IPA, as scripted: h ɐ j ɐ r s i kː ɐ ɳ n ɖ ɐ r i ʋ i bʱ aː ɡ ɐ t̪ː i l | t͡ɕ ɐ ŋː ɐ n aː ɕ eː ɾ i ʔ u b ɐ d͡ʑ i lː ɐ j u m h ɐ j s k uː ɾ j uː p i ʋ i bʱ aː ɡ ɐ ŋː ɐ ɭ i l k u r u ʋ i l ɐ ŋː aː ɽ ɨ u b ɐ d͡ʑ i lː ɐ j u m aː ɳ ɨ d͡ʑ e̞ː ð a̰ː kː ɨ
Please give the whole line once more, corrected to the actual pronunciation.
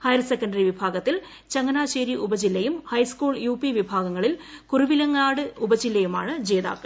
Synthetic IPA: h ɐ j ɐ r s e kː ɐ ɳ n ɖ ɐ r i ʋ i bʱ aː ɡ ɐ t̪ː i l | t͡ɕ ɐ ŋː ɐ n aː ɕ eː ɾ i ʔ u b ɐ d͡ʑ i lː ɐ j u m h ɐ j s k uː ɭ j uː p i ʋ i bʱ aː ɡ ɐ ŋː ɐ ɭ i l k u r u ʋ i l ɐ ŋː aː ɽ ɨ u b ɐ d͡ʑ i lː ɐ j u m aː ɳ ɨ d͡ʑ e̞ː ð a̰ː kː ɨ